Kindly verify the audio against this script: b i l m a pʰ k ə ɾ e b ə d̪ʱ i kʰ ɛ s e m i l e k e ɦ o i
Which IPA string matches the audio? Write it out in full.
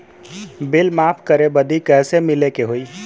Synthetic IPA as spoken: b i l m a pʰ k ə ɾ e b ə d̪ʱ i k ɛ s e m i l e k e ɦ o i